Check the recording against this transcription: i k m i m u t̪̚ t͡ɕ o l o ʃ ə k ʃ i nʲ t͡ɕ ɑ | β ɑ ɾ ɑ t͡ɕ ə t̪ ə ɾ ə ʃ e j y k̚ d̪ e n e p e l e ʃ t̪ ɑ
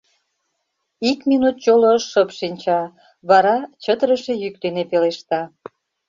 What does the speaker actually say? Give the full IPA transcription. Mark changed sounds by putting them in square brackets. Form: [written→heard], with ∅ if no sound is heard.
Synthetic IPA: i k m i [m→n] u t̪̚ t͡ɕ o l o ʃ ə [k→p] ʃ i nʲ t͡ɕ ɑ | β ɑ ɾ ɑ t͡ɕ ə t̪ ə ɾ ə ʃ e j y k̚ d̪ e n e p e l e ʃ t̪ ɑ